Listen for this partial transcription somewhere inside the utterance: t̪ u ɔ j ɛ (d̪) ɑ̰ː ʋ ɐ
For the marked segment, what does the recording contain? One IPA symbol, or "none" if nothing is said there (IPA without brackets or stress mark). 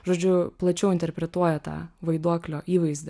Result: t̪